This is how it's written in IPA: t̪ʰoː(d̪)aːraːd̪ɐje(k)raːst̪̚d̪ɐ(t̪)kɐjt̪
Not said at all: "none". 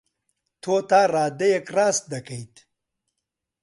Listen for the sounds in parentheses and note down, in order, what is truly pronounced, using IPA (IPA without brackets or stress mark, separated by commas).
t̪, k, none